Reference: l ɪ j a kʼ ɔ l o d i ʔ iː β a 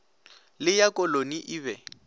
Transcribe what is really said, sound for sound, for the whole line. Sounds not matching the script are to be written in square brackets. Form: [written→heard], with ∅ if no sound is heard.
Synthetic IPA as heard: l ɪ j a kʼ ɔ l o [d→n] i ʔ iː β [a→ɛ]